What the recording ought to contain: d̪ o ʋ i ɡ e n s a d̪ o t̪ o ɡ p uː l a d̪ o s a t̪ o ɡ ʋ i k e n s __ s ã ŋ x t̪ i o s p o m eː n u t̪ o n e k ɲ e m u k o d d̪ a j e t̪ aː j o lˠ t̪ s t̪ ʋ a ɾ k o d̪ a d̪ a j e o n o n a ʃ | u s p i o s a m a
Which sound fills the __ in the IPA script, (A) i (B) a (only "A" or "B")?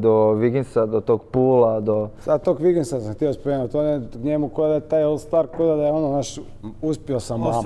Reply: B